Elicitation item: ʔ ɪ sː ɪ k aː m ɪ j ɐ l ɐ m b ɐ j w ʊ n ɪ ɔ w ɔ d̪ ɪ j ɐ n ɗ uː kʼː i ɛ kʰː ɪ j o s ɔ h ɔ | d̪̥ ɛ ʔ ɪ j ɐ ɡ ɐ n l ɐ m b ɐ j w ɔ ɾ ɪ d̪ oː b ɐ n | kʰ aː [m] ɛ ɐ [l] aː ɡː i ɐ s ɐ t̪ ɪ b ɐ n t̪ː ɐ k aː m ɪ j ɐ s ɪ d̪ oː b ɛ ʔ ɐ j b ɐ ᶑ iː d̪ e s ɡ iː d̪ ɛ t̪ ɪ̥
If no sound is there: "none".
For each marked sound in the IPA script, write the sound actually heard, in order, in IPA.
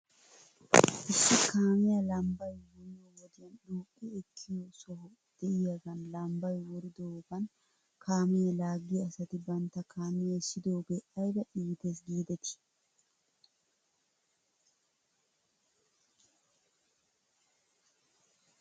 m, l

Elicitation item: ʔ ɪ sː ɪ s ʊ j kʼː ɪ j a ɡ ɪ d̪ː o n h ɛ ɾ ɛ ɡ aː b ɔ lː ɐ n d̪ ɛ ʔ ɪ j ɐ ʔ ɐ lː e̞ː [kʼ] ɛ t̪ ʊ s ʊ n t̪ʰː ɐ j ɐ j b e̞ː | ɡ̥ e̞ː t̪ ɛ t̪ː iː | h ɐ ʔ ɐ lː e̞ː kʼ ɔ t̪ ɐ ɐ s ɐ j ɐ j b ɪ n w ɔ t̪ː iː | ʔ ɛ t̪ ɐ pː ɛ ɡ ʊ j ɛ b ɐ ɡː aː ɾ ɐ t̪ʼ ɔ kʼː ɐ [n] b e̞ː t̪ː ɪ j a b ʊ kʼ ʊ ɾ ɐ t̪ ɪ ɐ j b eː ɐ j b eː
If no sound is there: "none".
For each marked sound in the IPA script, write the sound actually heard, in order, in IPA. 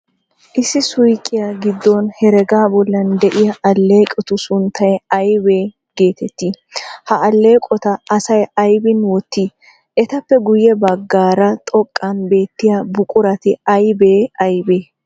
kʼ, n

